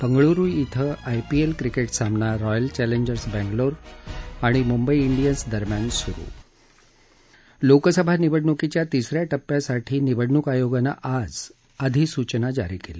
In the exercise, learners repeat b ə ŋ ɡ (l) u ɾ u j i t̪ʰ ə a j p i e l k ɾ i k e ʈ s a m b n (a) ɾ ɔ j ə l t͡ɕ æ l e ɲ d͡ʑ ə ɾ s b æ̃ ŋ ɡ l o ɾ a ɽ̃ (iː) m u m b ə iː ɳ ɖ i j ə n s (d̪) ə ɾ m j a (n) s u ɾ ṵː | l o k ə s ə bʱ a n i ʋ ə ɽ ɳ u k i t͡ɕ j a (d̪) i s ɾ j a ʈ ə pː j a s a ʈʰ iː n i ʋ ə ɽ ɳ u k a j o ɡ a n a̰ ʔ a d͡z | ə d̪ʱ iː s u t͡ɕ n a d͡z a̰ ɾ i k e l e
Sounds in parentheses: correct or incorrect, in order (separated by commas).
incorrect, correct, incorrect, correct, correct, incorrect